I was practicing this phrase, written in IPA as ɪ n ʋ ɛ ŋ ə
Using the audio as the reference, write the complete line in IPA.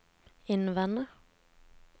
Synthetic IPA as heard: ɪ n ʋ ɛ n ə

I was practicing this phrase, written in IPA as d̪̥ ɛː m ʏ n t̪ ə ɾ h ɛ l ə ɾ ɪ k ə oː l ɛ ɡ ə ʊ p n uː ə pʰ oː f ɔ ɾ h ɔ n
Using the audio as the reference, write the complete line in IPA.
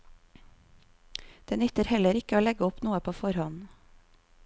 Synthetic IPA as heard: d̪̥ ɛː n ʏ t̪ ə ɾ h ɛ l ə ɾ ɪ k ə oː l ɛ ɡ ə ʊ p n uː ə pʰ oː f ɔ ɾ h ɔ n

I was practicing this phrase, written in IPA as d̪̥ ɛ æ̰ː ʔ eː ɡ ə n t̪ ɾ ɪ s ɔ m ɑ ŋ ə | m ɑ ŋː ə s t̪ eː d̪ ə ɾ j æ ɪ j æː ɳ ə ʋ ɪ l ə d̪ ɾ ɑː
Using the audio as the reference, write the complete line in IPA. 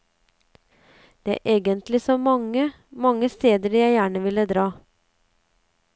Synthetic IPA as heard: d̪̥ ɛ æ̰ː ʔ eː ɡ ə n t̪ l ɪ s ɔ m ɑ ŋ ə | m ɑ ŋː ə s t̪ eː d̪ ə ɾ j æ ɪ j æː ɳ ə ʋ ɪ l ə d̪ ɾ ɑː

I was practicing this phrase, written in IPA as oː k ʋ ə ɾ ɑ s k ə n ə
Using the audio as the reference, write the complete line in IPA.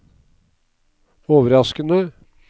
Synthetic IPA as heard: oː ʋ ə ɾ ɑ s k ə n ə

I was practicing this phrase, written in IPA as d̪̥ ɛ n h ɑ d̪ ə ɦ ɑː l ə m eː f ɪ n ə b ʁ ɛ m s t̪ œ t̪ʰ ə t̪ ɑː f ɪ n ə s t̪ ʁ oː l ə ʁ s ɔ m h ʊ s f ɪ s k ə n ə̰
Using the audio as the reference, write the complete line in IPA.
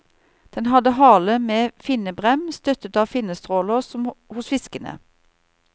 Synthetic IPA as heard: d̪̥ ɛ n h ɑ d̪ ə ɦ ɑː l ə m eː f ɪ n ə b ʁ ɛ m s t̪ œ t̪ ə t̪ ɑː f ɪ n ə s t̪ ʁ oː l ə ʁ s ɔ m h ʊ s f ɪ s k ə n ə̰

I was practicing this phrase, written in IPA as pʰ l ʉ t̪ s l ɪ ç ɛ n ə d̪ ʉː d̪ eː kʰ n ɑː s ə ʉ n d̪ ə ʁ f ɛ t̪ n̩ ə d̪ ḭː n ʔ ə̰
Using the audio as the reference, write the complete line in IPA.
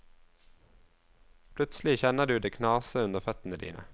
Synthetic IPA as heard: pʰ l ʉ t̪ s l ɪ ç ɛ n ə d̪ ʉː d̪ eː kʰ n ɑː s ə ʉ n d̪ ə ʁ f œ t̪ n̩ ə d̪ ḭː n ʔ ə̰

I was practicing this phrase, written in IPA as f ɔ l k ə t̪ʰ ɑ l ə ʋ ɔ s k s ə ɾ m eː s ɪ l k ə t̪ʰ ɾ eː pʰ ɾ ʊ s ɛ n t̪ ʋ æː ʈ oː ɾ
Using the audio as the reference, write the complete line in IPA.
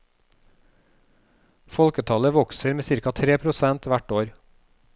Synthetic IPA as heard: f ɔ l k ə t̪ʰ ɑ l ə ʋ ɔ k s ə ɾ m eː s ɪ ɾ k ɑ t̪ʰ ɾ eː pʰ ɾ ʊ s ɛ n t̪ ʋ æ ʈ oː ɾ

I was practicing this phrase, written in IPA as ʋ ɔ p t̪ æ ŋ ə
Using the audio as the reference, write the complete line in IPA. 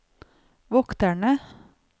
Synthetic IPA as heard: ʋ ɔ k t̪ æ ɳ ə

